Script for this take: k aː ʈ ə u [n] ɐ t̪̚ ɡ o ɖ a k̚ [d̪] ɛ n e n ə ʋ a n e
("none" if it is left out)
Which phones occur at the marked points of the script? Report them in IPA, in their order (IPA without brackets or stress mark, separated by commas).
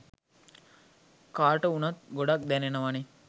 n, d̪